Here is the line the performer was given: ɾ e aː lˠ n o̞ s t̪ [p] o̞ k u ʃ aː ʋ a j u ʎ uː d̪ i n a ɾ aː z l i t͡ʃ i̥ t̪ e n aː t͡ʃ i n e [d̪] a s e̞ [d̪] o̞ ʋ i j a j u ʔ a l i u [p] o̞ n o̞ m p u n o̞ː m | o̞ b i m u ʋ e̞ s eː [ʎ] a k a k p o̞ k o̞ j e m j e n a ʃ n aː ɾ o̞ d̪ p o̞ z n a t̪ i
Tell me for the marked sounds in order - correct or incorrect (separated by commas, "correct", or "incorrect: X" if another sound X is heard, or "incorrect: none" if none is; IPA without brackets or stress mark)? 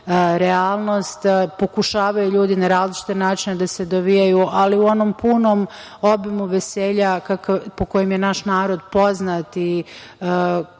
correct, correct, correct, incorrect: none, correct